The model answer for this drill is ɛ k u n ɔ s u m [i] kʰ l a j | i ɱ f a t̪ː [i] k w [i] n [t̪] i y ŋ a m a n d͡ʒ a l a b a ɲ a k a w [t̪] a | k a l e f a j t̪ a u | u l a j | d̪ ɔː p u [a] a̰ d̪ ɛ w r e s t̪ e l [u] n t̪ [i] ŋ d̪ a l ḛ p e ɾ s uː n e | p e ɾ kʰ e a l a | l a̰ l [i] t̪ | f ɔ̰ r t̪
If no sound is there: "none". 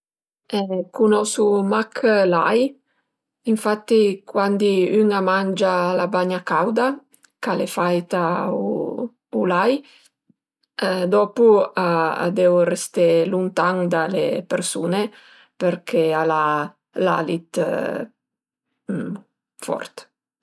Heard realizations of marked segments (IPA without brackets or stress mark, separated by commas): a, i, a, d̪, d̪, a, u, a, i